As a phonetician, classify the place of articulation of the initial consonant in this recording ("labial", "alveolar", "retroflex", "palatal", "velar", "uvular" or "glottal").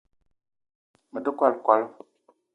labial